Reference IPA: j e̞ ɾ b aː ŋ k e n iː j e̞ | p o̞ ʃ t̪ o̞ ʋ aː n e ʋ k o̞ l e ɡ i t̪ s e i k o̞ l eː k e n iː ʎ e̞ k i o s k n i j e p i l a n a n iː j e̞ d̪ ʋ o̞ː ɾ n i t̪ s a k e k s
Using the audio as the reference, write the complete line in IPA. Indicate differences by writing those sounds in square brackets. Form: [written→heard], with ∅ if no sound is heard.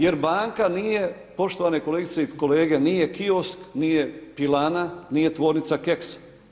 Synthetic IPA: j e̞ ɾ b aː ŋ k [e→a] n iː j e̞ | p o̞ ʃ t̪ o̞ ʋ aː n e [ʋ→∅] k o̞ l e ɡ i t̪ s e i k o̞ l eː [k→ɡ] e n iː [ʎ→j] e̞ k i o s k n i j e p i l a n a n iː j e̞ [d̪→t̪] ʋ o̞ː ɾ n i t̪ s a k e k s

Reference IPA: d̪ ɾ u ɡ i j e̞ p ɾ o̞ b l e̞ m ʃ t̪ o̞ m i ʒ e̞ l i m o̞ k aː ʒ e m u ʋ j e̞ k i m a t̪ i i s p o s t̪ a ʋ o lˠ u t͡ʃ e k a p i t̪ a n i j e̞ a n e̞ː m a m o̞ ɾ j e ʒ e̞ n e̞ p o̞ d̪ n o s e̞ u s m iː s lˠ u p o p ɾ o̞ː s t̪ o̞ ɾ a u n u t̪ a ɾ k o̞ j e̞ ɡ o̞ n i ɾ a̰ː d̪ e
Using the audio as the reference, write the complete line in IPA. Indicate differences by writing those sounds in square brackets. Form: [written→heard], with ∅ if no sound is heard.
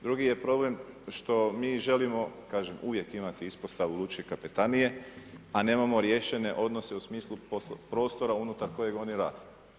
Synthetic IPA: d̪ ɾ u ɡ i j e̞ p ɾ o̞ b l e̞ m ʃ t̪ o̞ m [i→iː] ʒ e̞ l i m o̞ k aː ʒ e m u ʋ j e̞ k i m a t̪ i i s p o s t̪ a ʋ [o→u] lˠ u t͡ʃ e k a p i t̪ a n i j e̞ a n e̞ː m a m o̞ ɾ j e [ʒ→ʃ] e̞ n e̞ [p→ʔ] o̞ d̪ n o s e̞ u s m iː s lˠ u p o p ɾ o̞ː s t̪ o̞ ɾ a u n u t̪ a ɾ k o̞ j e̞ ɡ o̞ n i ɾ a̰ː d̪ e

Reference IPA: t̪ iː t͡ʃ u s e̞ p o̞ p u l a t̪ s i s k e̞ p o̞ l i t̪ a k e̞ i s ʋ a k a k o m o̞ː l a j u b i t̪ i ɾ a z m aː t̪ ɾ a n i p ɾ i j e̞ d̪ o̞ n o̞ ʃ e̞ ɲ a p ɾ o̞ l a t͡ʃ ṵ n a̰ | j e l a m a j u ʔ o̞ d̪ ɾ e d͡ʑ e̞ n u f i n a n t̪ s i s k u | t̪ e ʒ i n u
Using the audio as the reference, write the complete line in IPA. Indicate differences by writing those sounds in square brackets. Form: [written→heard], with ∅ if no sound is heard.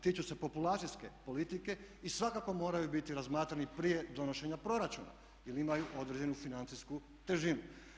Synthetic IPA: t̪ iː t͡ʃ u s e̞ p o̞ p u l a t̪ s i s k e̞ p o̞ l i t̪ [a→i] k e̞ i s ʋ a k a k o m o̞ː [l→ɾ] a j u b i t̪ i ɾ a z m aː t̪ ɾ a n i p ɾ i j e̞ d̪ o̞ n o̞ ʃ e̞ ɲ a p ɾ o̞ [l→ɾ] a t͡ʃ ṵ n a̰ | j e l [a→i] m a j u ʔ o̞ d̪ ɾ e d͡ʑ e̞ n u f i n a n t̪ s i s k u | t̪ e ʒ i n u

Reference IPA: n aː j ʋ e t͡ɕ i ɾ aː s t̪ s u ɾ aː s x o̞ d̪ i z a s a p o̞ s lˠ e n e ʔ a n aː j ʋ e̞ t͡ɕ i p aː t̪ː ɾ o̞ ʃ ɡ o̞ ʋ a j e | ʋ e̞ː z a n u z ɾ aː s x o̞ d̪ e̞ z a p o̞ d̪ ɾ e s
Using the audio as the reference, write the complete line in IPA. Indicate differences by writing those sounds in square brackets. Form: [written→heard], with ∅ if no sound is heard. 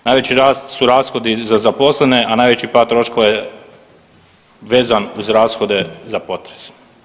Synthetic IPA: n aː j ʋ e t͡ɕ i ɾ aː s t̪ s u ɾ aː s x o̞ d̪ i z a [s→z] a p o̞ s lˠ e n e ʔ a n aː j ʋ e̞ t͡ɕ i p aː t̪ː ɾ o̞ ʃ [ɡ→k] o̞ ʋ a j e | ʋ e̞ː z a n u z ɾ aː s x o̞ d̪ e̞ z a p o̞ [d̪→t̪] ɾ e s

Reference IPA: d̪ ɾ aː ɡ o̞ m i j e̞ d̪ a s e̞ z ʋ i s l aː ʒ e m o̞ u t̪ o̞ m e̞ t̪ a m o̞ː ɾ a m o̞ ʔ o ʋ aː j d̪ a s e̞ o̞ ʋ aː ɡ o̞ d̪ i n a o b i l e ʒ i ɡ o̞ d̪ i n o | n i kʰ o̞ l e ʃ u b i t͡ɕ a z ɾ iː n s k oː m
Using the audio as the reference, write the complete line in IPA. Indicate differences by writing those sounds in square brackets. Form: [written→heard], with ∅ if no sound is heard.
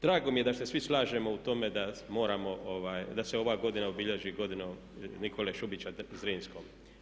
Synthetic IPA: d̪ ɾ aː ɡ o̞ m i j e̞ d̪ a s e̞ [z→s] ʋ i s l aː ʒ e m o̞ u t̪ o̞ m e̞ [t̪→d̪] a m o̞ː ɾ a m o̞ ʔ o ʋ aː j d̪ a s e̞ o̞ ʋ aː ɡ o̞ d̪ i n a o b i [l→ʎ] e ʒ i ɡ o̞ d̪ i n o | n i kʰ o̞ l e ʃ u b i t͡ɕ a z ɾ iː n s k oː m

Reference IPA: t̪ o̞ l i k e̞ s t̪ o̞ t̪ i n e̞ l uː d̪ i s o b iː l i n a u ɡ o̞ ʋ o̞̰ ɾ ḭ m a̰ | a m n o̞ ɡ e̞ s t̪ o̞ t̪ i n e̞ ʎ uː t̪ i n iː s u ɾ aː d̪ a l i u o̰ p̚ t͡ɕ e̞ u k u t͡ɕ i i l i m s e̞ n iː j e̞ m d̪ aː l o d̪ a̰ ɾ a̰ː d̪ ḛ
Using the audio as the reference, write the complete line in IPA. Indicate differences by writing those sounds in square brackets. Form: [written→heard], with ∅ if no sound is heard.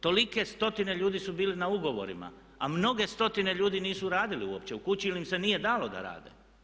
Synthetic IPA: t̪ o̞ l i k e̞ s t̪ o̞ t̪ i n e̞ [l→ʎ] uː d̪ i s [o→u] b iː l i n a u ɡ o̞ ʋ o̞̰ ɾ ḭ m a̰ | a m n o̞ ɡ e̞ s t̪ o̞ t̪ i n e̞ ʎ uː [t̪→d̪] i n iː s u ɾ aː d̪ [a→i] l i u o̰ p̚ t͡ɕ e̞ u k u t͡ɕ i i l i m s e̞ n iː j e̞ [m→∅] d̪ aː l o d̪ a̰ ɾ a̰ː d̪ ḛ

